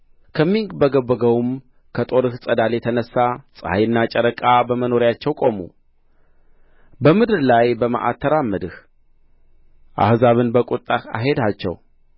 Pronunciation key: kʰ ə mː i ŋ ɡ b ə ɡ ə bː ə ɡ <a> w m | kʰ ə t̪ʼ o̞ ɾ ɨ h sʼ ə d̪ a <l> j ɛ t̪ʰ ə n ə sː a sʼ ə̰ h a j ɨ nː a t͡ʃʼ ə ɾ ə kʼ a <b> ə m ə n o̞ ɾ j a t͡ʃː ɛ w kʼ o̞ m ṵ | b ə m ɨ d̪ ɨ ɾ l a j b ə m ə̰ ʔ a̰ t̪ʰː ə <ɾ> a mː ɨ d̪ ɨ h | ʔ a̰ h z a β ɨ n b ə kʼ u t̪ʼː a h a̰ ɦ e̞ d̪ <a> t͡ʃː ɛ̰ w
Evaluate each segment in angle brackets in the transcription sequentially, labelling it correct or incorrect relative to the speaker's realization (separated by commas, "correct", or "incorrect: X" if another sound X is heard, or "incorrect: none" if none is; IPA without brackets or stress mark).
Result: incorrect: ə, correct, correct, correct, correct